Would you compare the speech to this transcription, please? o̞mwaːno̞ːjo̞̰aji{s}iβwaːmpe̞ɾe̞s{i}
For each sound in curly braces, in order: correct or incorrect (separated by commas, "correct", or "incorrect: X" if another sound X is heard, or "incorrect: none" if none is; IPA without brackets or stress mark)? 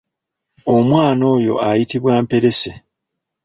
incorrect: t, incorrect: e